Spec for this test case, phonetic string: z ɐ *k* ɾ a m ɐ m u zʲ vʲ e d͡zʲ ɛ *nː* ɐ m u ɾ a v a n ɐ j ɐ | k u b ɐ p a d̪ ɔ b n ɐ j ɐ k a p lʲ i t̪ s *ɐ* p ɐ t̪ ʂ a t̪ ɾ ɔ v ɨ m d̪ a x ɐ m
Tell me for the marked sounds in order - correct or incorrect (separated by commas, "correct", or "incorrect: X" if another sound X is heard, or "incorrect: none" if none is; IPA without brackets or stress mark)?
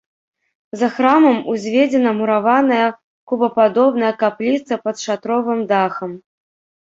incorrect: x, incorrect: n, correct